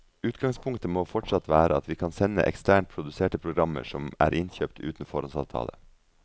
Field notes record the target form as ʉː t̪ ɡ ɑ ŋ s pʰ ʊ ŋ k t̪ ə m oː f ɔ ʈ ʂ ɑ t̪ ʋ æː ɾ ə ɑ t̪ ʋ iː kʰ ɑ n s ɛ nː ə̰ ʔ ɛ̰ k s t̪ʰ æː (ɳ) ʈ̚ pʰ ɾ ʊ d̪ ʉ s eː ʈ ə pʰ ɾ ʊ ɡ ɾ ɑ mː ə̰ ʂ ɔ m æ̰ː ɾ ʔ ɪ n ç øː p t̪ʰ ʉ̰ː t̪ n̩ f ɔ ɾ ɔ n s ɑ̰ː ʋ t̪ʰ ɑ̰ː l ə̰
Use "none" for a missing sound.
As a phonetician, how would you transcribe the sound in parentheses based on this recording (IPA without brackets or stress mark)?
ɳ